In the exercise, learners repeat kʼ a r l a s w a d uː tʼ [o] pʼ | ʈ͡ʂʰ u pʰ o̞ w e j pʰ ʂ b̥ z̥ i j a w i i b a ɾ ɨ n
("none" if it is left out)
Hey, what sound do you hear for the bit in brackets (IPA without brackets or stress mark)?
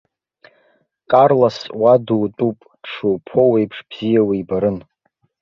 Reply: u